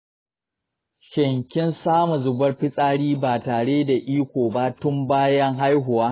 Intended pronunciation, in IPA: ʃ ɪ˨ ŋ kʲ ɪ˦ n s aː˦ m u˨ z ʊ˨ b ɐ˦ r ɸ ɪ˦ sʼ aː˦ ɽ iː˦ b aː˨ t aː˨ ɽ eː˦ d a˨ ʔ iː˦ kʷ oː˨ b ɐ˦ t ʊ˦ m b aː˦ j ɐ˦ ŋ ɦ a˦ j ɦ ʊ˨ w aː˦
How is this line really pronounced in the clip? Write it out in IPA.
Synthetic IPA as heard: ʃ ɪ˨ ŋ kʲ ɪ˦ n s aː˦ m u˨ z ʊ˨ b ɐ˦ r ɸ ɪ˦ sʼ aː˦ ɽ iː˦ b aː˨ t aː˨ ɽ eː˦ d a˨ ʔ iː˦ kʷ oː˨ b a˦ t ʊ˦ m b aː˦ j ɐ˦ ŋ ɦ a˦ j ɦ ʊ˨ w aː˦